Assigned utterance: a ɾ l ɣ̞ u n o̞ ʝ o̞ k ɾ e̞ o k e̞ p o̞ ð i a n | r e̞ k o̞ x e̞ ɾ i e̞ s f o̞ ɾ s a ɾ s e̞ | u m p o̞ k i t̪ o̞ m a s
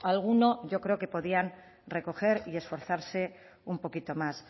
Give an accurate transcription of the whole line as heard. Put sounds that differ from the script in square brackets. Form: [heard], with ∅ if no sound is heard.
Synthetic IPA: a [∅] l ɣ̞ u n o̞ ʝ o̞ k ɾ e̞ o k e̞ p o̞ ð i a n | r e̞ k o̞ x e̞ ɾ i e̞ s f o̞ ɾ [θ] a ɾ s e̞ | u m p o̞ k i t̪ o̞ m a s